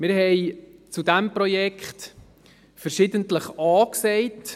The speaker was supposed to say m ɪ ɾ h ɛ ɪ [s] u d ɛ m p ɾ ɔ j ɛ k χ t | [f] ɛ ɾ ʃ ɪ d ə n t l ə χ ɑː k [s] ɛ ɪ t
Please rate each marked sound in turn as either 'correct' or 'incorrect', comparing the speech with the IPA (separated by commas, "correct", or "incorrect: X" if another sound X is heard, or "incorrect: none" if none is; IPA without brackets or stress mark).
incorrect: t͡s, correct, correct